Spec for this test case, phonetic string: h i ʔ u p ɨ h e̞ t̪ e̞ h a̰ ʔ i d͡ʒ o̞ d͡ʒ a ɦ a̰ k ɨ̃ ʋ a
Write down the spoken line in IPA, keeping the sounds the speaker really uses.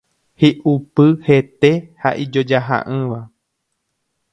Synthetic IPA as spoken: h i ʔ u p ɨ h e̞ t̪ e̞ h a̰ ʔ i d͡ʒ o̞ d͡ʒ a ɦ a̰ ʔ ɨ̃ ʋ a